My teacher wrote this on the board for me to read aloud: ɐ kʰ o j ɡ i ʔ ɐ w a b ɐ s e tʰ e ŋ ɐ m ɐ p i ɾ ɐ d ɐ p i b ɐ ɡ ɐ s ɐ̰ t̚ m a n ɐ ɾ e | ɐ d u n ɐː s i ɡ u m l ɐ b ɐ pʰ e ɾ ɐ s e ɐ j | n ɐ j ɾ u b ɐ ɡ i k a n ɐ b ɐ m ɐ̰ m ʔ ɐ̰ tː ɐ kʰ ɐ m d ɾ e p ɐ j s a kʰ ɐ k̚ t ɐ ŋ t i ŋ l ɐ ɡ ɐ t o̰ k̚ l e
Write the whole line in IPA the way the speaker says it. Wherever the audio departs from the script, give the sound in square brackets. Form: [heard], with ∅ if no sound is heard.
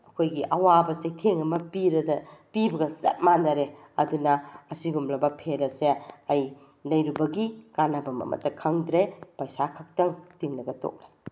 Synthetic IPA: ɐ kʰ o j ɡ i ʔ ɐ w a b ɐ s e tʰ e ŋ ɐ m ɐ p i ɾ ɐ d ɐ p i b ɐ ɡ ɐ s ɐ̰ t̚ m a n ɐ ɾ e | ɐ d u n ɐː s i ɡ u m l ɐ b ɐ pʰ e ɾ ɐ s e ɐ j | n ɐ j ɾ u b ɐ ɡ i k a n ɐ b ɐ m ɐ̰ m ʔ ɐ̰ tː ɐ kʰ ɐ [ŋ] d ɾ e p ɐ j s a kʰ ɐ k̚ t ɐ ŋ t i ŋ l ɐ ɡ ɐ t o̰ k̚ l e